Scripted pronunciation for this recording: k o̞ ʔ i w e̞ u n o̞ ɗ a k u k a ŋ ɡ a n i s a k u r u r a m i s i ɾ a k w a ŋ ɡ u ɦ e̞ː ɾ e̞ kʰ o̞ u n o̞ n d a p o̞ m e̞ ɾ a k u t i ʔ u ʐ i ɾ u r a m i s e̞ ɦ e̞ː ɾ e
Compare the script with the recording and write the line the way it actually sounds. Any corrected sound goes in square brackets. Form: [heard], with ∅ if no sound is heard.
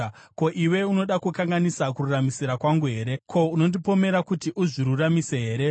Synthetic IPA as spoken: k o̞ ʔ i w e̞ u n o̞ ɗ a k u k a ŋ ɡ a n i s a k u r u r a m i s i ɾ a k w a ŋ ɡ u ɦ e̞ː ɾ e̞ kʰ o̞ u n o̞ n d [i] p o̞ m e̞ ɾ a k u t i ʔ u ʐ i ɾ u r a m i s e̞ ɦ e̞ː ɾ e